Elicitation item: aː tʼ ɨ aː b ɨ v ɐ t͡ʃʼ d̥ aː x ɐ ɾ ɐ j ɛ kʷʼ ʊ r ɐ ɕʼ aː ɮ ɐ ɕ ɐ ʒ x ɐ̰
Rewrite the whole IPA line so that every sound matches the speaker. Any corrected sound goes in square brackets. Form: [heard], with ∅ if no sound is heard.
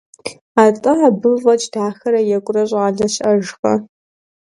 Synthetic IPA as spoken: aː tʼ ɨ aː b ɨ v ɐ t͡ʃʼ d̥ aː x ɐ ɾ ɐ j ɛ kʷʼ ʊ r ɐ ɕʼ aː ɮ ɐ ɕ ɐ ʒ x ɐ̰